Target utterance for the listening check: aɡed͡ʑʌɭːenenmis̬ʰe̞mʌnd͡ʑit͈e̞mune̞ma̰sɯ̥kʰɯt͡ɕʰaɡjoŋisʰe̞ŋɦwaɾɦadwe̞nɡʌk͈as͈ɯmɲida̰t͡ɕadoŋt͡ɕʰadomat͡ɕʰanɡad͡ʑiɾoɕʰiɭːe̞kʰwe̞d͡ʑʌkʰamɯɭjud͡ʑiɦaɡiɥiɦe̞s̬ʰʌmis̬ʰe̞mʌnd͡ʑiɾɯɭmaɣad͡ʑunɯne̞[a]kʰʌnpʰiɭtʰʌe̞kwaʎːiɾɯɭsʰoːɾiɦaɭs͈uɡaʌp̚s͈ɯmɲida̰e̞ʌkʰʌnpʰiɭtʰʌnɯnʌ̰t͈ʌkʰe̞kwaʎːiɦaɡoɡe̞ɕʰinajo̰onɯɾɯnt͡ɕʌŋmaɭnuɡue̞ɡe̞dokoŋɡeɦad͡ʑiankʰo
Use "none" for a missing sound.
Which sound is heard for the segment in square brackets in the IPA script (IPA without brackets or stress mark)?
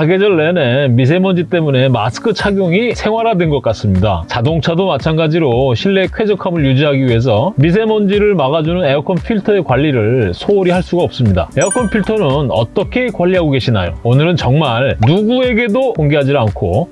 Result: ʌ